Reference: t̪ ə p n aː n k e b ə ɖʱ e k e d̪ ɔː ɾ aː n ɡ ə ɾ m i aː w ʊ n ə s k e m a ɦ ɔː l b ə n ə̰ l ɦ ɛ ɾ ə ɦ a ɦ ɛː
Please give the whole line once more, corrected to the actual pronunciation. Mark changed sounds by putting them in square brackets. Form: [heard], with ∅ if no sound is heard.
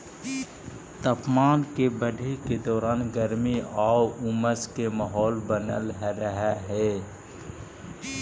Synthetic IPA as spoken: t̪ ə p [m] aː n k e b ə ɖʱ e k e d̪ ɔː ɾ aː n ɡ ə ɾ m i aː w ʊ [m] ə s k e m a ɦ ɔː l b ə n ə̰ l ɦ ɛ ɾ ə ɦ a ɦ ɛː

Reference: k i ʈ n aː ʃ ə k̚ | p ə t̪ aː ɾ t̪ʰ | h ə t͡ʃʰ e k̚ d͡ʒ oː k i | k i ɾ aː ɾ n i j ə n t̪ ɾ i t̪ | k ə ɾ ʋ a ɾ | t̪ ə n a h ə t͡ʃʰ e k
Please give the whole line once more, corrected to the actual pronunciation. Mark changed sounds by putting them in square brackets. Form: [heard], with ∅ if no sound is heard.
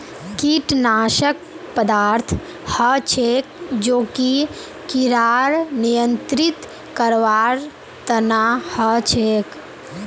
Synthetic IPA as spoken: k i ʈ n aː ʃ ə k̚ | p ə [d̪] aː ɾ t̪ʰ | h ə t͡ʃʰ e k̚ d͡ʒ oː k i | k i ɾ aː ɾ n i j ə n t̪ ɾ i t̪ | k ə ɾ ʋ a ɾ | t̪ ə n a h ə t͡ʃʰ e k

